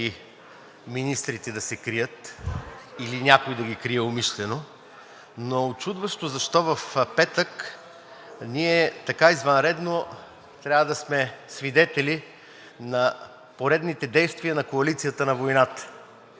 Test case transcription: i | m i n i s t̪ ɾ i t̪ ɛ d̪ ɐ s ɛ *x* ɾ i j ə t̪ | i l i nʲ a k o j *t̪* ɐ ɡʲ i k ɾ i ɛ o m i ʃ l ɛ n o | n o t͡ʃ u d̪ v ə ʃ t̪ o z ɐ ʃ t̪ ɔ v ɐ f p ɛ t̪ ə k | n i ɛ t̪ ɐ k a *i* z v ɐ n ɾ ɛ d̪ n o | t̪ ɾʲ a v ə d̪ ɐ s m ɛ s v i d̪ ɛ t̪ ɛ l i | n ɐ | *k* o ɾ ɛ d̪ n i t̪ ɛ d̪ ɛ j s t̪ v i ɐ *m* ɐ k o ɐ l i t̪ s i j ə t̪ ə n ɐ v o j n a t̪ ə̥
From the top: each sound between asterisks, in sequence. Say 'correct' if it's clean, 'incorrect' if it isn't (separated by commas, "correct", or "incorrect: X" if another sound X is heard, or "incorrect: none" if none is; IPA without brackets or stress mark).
incorrect: k, incorrect: d̪, correct, incorrect: p, incorrect: n